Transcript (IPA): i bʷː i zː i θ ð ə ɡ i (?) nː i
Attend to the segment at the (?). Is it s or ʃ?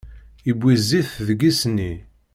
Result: s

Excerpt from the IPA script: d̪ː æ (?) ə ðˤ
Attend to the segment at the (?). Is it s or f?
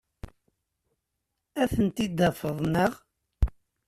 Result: f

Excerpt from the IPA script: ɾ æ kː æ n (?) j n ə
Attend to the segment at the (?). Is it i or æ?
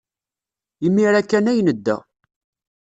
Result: æ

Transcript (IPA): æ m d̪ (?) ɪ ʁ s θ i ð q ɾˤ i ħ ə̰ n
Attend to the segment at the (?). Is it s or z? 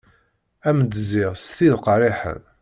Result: z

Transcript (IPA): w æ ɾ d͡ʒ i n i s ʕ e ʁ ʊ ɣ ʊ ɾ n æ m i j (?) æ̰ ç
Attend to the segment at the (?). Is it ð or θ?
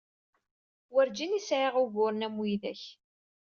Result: ð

